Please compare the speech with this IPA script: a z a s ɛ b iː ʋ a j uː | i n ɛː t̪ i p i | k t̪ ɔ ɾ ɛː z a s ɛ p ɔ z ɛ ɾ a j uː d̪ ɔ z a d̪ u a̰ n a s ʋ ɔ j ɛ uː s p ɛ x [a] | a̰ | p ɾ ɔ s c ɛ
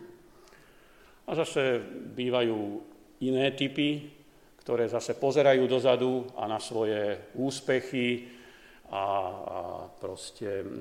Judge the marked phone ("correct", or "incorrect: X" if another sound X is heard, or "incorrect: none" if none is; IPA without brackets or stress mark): incorrect: i